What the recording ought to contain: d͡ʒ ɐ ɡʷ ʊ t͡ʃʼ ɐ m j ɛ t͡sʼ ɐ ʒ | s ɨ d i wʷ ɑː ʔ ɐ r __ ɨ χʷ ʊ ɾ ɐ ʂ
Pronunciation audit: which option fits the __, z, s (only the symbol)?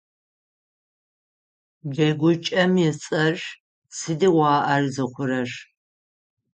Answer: z